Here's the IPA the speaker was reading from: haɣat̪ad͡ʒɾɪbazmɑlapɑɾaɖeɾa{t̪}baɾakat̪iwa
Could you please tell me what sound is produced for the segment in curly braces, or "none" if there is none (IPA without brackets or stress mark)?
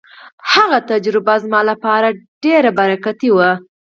none